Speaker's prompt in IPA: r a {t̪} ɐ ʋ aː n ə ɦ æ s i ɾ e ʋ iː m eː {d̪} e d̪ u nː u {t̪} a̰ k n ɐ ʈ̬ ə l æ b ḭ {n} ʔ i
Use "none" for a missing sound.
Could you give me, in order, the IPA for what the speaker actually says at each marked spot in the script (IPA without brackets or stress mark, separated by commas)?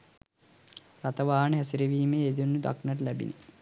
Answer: t̪, none, d̪, n